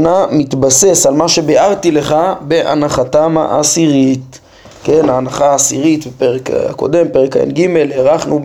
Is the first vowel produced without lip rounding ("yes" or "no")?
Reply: yes